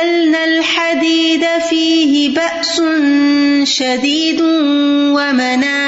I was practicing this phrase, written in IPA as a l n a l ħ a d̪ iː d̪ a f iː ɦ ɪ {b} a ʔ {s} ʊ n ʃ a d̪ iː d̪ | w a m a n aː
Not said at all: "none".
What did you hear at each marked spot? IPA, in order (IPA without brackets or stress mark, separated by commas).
b, s